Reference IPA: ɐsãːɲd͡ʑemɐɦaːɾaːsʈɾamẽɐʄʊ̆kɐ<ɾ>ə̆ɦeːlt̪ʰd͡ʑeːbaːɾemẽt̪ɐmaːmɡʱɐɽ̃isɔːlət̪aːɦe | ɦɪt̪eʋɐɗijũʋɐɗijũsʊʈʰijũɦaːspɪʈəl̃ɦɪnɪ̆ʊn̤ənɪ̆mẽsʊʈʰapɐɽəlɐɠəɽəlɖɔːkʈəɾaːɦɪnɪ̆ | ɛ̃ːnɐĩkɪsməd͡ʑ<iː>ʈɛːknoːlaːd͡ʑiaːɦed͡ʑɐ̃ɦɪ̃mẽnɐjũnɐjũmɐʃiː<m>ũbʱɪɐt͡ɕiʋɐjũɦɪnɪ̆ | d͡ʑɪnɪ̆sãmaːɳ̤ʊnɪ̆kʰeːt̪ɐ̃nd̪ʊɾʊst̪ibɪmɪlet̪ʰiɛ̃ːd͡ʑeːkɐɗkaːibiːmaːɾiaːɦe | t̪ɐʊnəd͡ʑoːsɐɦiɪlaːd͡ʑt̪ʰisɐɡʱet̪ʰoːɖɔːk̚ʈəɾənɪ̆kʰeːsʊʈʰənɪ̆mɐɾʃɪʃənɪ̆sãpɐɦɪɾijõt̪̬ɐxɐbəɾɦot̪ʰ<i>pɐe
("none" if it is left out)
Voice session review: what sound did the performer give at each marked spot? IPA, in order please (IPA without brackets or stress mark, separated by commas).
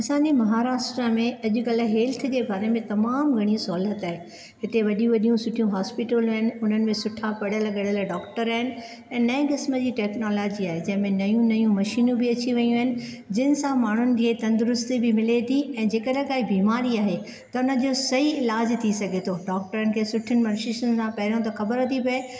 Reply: l, iː, n, i